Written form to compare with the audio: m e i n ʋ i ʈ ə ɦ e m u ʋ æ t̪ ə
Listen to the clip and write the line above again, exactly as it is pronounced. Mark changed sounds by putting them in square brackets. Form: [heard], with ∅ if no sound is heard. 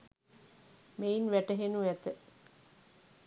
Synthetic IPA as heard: m e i n ʋ [æ] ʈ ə ɦ e [n] u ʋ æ t̪ ə